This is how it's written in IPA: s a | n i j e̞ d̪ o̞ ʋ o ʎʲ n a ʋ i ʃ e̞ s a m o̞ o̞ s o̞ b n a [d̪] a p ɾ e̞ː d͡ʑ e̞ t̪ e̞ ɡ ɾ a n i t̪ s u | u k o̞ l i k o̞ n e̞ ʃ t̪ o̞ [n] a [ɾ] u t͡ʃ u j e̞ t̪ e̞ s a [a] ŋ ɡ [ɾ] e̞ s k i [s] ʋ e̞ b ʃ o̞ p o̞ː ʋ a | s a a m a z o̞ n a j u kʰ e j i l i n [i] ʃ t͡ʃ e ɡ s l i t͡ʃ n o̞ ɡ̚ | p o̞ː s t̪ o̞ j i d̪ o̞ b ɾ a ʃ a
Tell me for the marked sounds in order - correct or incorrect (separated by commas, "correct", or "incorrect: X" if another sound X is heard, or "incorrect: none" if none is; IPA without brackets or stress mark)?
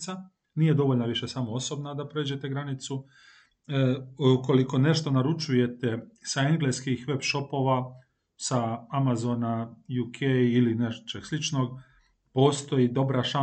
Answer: correct, correct, correct, incorrect: e, incorrect: l, incorrect: x, incorrect: e